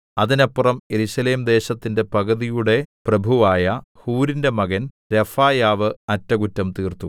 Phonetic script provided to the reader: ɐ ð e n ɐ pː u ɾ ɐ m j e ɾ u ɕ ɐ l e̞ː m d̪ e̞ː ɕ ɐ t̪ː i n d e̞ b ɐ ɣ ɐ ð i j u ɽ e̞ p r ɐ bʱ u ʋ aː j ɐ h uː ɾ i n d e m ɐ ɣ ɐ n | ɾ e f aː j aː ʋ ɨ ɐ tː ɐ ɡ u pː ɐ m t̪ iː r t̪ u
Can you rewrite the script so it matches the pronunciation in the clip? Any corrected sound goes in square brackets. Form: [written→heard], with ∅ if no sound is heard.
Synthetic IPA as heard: ɐ ð [e→i] n ɐ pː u [ɾ→r] ɐ m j e ɾ u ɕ ɐ l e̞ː m d̪ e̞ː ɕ ɐ t̪ː i n d e̞ [b→p] ɐ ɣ ɐ ð i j u ɽ e̞ p r ɐ bʱ u ʋ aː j ɐ h uː ɾ i n d e m ɐ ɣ ɐ n | ɾ e f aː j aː ʋ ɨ ɐ tː ɐ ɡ u [pː→tː] ɐ m t̪ iː r t̪ u